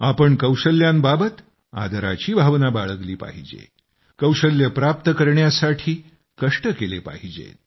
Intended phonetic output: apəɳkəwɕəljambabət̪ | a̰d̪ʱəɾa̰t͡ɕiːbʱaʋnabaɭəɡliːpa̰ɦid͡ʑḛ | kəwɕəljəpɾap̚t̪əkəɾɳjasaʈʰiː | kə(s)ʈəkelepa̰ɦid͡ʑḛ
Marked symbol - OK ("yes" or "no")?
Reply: no